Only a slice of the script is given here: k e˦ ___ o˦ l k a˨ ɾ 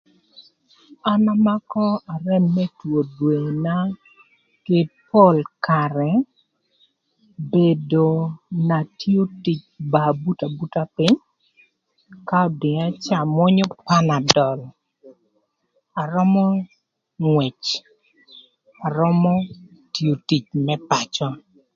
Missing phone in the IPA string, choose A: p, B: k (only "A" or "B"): A